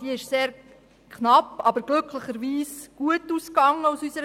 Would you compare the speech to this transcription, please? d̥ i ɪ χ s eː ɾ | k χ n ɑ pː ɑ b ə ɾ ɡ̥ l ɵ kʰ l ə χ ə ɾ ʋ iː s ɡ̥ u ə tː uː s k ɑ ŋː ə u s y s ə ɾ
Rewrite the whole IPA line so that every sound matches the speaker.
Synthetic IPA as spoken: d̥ i ɪ ʃ s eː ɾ | k χ n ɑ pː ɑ b ə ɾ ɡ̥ l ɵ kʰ l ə χ ə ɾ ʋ iː s ɡ̥ u ə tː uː s k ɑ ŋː ə u s y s ə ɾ